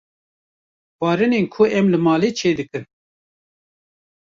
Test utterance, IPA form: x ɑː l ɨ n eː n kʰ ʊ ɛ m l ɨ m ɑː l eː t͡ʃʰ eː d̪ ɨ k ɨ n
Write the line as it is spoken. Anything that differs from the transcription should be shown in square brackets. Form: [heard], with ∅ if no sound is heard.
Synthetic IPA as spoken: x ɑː [ɾ] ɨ n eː n kʰ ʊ ɛ m l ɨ m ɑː l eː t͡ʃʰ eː d̪ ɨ k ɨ n